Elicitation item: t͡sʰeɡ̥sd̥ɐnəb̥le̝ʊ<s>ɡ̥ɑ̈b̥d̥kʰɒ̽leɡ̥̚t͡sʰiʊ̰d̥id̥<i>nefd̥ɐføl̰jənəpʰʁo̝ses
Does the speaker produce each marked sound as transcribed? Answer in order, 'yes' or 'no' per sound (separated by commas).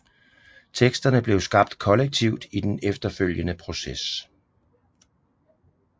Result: yes, no